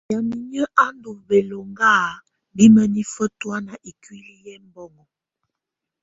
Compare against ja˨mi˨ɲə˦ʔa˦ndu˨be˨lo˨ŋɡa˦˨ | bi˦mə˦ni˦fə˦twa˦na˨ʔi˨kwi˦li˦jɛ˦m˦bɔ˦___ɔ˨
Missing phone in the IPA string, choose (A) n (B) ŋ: B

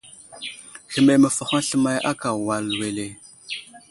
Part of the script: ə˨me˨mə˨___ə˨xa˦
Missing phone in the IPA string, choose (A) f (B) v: A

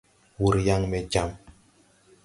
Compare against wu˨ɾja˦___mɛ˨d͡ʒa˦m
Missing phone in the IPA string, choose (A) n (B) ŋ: B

